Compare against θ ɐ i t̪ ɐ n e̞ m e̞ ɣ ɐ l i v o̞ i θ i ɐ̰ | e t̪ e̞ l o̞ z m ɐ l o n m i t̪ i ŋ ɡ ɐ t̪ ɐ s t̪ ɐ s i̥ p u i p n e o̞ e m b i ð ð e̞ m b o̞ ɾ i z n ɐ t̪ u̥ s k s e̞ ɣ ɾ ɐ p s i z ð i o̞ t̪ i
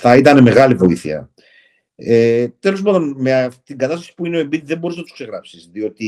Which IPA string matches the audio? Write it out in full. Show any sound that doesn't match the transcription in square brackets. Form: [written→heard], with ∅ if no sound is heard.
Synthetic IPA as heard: θ ɐ i t̪ ɐ n e̞ m e̞ ɣ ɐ l i v o̞ i θ i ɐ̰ | e t̪ e̞ l o̞ z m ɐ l o n m [i→e] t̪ i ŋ ɡ ɐ t̪ ɐ s t̪ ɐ s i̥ p u i [p→∅] n e o̞ e m b i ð ð e̞ m b o̞ ɾ i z n ɐ t̪ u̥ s k s e̞ ɣ ɾ ɐ p s i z ð i o̞ t̪ i